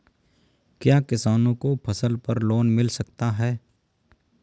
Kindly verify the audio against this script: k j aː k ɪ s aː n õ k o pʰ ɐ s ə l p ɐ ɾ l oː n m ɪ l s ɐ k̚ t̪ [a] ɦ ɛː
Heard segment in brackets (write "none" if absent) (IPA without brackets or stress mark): a